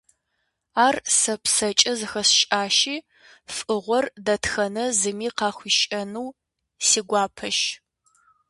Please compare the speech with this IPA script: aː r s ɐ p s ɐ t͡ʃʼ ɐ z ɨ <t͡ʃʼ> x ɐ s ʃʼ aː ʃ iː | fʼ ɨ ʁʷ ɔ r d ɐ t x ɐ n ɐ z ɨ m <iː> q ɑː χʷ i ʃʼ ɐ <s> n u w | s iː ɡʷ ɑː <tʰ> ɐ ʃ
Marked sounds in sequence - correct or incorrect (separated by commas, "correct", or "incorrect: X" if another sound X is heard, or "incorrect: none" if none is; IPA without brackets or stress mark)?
incorrect: none, correct, incorrect: none, incorrect: pʰ